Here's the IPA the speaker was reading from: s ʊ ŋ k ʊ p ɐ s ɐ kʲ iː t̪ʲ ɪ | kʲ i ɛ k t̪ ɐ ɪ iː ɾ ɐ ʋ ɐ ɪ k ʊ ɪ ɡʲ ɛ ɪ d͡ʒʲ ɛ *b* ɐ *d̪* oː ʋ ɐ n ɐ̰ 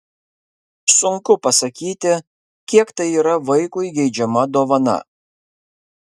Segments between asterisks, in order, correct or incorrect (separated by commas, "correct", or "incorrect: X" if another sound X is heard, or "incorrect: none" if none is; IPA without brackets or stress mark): incorrect: m, correct